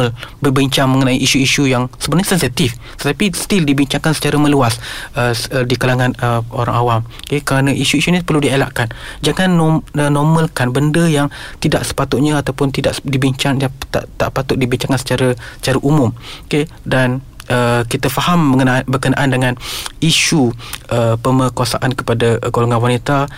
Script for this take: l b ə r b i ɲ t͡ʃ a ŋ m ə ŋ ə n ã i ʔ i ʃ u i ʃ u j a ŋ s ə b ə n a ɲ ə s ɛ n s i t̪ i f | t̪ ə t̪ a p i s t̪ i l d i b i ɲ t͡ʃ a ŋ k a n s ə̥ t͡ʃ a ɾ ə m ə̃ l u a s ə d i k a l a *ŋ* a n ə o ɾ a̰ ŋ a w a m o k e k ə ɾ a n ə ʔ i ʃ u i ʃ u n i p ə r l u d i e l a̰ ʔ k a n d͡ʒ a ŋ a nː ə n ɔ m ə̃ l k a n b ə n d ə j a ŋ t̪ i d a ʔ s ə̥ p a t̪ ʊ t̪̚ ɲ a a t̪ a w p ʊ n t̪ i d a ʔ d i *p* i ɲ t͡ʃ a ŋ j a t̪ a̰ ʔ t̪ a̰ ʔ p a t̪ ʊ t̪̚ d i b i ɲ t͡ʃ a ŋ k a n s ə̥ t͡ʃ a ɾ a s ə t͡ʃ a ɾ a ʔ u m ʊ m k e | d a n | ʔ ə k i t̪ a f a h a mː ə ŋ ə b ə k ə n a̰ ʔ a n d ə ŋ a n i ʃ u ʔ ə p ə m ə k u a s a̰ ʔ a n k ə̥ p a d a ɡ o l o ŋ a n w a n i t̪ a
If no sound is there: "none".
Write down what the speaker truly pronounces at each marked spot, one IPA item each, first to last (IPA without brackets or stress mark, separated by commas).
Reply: ŋ, b